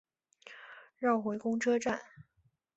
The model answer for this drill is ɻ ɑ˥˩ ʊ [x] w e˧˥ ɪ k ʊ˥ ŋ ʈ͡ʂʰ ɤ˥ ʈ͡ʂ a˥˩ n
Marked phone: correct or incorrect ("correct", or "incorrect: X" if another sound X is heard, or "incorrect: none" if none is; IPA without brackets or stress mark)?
correct